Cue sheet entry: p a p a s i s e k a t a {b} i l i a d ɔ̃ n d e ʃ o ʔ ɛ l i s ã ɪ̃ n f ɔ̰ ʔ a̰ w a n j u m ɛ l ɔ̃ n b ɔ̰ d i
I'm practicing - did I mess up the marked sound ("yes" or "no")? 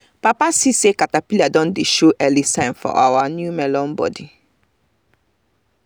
yes